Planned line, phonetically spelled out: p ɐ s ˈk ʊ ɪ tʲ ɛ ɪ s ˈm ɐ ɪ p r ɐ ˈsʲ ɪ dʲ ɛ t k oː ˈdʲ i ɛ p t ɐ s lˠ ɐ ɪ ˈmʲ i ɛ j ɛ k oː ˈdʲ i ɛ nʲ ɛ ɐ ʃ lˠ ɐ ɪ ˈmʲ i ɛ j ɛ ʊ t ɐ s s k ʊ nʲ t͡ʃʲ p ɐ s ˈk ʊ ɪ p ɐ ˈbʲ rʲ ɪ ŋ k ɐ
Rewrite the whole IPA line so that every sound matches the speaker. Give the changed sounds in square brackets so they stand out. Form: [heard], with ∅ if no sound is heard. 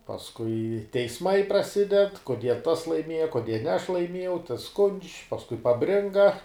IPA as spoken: p ɐ s ˈk ʊ ɪ tʲ ɛ ɪ s ˈm ɐ ɪ p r ɐ ˈsʲ ɪ dʲ ɛ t k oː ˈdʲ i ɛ [∅] t ɐ s lˠ ɐ ɪ ˈmʲ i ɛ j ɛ k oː ˈdʲ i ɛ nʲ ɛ ɐ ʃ lˠ ɐ ɪ ˈmʲ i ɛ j ɛ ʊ t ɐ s s k ʊ nʲ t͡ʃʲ p ɐ s ˈk ʊ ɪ p ɐ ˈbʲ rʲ ɪ ŋ [ɡ] ɐ

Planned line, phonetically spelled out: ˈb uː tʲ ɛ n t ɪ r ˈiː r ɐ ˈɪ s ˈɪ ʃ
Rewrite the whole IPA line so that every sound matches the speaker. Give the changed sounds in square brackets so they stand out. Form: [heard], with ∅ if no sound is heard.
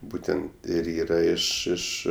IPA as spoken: ˈb uː tʲ ɛ n t ɪ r ˈiː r ɐ ˈɪ [ʃ] ˈɪ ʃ

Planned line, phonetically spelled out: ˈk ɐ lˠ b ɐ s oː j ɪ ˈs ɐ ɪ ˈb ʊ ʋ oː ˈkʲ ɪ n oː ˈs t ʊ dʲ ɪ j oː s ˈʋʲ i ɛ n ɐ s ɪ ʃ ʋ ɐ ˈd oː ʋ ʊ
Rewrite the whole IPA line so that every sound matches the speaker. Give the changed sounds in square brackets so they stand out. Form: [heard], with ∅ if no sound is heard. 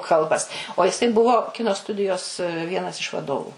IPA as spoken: ˈk ɐ lˠ b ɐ s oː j ɪ ˈs ɐ ɪ ˈb ʊ ʋ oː ˈkʲ ɪ n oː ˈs t ʊ dʲ ɪ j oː s ˈʋʲ i ɛ n ɐ s ɪ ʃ ʋ ɐ ˈd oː ʋ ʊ

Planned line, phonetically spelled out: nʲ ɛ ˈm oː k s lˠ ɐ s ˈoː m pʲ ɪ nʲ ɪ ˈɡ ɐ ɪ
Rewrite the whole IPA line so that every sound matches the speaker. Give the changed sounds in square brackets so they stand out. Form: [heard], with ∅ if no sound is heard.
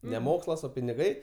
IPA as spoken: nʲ ɛ ˈm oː k s lˠ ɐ s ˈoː [∅] pʲ ɪ nʲ ɪ ˈɡ ɐ ɪ

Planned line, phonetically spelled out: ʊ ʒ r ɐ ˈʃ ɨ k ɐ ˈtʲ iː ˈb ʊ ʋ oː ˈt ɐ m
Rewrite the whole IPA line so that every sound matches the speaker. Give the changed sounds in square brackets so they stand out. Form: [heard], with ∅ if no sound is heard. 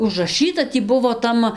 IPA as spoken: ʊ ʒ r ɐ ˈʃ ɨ [t] ɐ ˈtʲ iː ˈb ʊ ʋ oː ˈt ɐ m

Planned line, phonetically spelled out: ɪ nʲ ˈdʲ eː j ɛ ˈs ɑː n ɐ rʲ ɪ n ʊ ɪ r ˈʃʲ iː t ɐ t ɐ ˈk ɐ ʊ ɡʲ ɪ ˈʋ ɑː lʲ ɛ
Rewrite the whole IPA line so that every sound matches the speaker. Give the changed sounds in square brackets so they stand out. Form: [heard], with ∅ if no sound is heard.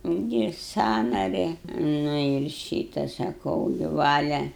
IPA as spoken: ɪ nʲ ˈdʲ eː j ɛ ˈs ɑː n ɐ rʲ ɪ n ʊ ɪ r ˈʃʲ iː t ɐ [s] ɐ ˈk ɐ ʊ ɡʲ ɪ ˈʋ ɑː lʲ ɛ

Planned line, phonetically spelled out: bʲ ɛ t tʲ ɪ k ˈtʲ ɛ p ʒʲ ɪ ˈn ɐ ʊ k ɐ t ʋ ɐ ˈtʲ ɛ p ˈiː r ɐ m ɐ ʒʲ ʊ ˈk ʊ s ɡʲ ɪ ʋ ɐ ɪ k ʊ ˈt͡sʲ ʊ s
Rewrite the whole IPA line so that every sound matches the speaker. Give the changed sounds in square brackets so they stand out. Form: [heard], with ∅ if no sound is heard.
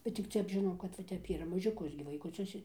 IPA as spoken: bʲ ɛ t tʲ ɪ k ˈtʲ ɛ p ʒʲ ɪ ˈn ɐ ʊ k ɐ t ʋ ɐ ˈtʲ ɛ p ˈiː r ɐ m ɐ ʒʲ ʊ ˈk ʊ s ɡʲ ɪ ʋ ɐ ɪ k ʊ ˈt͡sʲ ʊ s

